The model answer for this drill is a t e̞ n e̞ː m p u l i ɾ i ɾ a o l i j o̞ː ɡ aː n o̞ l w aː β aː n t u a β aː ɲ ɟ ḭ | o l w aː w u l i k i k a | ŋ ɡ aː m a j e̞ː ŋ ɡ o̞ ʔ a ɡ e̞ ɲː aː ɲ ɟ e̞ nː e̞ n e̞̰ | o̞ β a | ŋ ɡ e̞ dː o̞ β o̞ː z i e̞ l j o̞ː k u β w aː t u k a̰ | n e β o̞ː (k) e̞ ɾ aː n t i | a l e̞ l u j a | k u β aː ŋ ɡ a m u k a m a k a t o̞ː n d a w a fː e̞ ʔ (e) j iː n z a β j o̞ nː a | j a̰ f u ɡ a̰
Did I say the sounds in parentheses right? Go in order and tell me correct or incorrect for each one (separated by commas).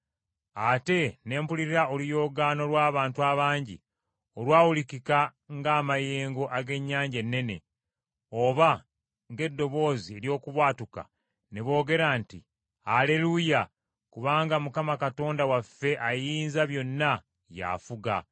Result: incorrect, incorrect